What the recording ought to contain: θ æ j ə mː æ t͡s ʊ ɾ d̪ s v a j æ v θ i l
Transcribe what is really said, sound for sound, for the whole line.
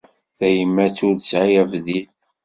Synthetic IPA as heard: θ æ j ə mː æ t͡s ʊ ɾ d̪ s ʕ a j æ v ð i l